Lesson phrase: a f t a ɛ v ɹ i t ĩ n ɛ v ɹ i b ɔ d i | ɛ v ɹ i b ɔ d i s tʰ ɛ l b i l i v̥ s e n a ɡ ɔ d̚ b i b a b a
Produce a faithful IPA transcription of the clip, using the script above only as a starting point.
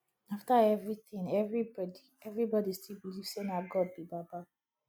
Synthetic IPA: a f t a ɛ v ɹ i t ĩ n ɛ v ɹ i b ɔ d i | ɛ v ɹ i b ɔ d i s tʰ i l b i l i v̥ s e n a ɡ ɔ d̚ b i b a b a